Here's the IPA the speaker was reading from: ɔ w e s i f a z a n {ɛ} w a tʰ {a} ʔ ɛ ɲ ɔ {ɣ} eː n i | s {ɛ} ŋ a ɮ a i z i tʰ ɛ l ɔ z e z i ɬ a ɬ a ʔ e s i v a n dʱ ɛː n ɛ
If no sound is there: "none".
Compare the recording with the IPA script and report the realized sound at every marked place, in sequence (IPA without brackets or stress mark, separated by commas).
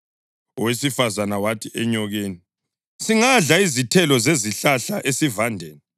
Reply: a, i, ɣ, i